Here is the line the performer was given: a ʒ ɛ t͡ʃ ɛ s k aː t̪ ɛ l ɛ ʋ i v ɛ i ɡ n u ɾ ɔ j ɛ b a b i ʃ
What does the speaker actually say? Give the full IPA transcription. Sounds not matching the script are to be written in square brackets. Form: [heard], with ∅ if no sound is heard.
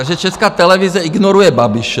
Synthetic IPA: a ʒ ɛ t͡ʃ ɛ s k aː t̪ ɛ l ɛ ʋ i [z] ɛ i ɡ n [ɔ] ɾ [u] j ɛ b a b i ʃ